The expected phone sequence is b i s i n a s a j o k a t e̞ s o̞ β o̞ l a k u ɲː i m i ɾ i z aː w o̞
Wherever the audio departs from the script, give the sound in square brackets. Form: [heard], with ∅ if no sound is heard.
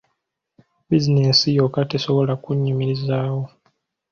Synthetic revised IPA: b i [z] i n [e] s [i] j o k a t e̞ s o̞ β o̞ l a k u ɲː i m i ɾ i z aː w o̞